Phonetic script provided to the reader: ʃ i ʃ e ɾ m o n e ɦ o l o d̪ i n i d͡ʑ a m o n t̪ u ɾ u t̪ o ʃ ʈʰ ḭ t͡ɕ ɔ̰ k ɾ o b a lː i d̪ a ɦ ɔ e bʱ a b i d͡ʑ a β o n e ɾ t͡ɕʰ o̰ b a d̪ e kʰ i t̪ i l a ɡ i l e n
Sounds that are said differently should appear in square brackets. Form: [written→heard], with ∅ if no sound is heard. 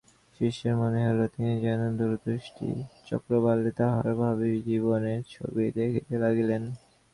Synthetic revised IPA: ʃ i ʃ e ɾ m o n e ɦ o l o [d̪→t̪] i n i d͡ʑ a [m→n] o n [t̪→d̪] u ɾ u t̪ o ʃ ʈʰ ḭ t͡ɕ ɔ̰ k ɾ o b a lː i [d̪→t̪] a ɦ ɔ e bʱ a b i d͡ʑ [a→i] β o n e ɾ t͡ɕʰ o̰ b [a→i] d̪ e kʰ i t̪ [i→e] l a ɡ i l e n

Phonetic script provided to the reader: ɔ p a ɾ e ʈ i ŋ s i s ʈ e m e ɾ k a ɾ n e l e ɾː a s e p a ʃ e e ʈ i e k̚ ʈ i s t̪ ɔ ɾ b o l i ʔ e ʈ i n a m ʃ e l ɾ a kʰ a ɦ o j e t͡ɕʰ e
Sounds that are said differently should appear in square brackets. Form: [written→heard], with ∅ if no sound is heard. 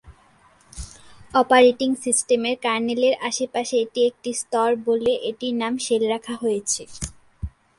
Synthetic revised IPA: ɔ p a ɾ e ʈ i ŋ s i s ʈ e m e ɾ k a ɾ n e l e [ɾː→ɾ] a [s→ʃ] e p a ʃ e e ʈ i e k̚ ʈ i s t̪ ɔ ɾ b o l [i→e] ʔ e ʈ i n a m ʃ e l ɾ a kʰ a ɦ o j e t͡ɕʰ e

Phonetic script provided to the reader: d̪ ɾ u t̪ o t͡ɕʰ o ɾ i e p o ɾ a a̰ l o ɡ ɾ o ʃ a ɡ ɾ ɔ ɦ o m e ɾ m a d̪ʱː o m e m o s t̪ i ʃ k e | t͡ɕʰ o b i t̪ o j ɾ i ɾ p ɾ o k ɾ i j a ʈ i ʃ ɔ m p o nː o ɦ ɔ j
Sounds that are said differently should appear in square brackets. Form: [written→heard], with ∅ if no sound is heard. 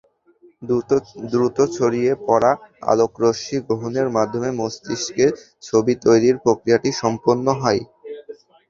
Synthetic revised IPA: d̪ ɾ u t̪ o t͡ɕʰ o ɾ i e p [o→ɔ] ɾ a a̰ l o [ɡ→k] ɾ o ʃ [a→i] ɡ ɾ [ɔ→o] ɦ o [m→n] e ɾ m a d̪ʱː o m e m o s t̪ i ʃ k e | t͡ɕʰ o b i t̪ o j ɾ i ɾ p ɾ o k ɾ i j a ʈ i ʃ ɔ m p o nː o ɦ ɔ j

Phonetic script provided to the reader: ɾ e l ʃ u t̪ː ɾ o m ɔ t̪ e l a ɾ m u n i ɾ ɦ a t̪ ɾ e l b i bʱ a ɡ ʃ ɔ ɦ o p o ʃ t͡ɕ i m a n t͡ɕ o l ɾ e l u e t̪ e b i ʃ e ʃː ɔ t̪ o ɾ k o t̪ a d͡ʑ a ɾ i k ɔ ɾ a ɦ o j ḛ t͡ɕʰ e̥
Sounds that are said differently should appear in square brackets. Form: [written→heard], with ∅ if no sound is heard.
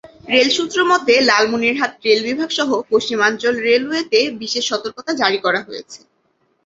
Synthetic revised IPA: ɾ e l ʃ u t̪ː ɾ o m ɔ t̪ e l a [ɾ→l] m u n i ɾ ɦ a t̪ ɾ e l b i bʱ a ɡ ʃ ɔ ɦ o p o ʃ t͡ɕ i m a n t͡ɕ o l ɾ e l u e t̪ e b i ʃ e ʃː ɔ t̪ o ɾ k o t̪ a d͡ʑ a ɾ i k ɔ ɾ a ɦ o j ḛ t͡ɕʰ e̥

